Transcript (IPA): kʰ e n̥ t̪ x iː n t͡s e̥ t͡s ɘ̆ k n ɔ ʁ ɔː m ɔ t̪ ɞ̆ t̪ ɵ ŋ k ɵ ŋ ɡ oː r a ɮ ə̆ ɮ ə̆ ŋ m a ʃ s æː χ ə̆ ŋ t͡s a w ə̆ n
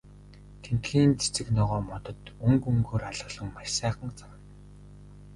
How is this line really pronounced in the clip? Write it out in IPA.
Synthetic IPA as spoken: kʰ e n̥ t̪ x iː n t͡s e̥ t͡s ɘ̆ k n ɔ ʁ ɔː m ɔ t̪ ɞ̆ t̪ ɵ ŋ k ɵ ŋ ɡ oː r a ɮ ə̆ ɮ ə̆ ŋ m a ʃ s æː χ ə̆ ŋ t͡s a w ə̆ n